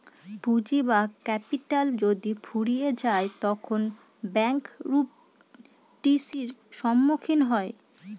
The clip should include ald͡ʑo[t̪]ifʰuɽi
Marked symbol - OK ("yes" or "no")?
no